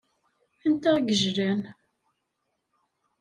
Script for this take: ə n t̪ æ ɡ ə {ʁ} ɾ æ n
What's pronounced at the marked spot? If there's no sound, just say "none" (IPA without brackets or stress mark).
ʒ